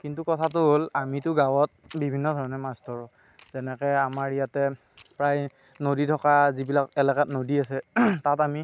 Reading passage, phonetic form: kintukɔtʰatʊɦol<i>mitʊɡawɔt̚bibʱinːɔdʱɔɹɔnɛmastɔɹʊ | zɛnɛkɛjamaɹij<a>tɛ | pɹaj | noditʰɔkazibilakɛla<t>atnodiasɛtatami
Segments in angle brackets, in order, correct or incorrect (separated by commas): incorrect, correct, incorrect